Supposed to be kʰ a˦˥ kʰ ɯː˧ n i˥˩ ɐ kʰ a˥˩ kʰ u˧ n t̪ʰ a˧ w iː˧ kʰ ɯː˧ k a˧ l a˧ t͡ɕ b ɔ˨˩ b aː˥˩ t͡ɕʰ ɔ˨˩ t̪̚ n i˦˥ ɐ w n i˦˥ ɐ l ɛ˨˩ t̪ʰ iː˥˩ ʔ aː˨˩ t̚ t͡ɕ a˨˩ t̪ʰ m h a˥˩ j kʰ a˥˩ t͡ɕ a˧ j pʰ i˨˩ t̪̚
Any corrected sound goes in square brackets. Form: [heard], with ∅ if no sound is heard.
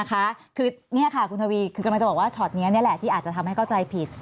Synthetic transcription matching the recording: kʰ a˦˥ kʰ ɯː˧ n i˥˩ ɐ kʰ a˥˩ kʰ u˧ n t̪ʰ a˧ w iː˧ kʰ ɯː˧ k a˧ l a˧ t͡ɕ b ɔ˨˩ [w] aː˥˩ t͡ɕʰ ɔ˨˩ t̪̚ n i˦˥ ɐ [∅] n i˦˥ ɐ l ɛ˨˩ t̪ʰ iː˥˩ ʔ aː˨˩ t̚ t͡ɕ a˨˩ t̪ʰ m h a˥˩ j kʰ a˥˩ t͡ɕ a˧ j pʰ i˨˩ t̪̚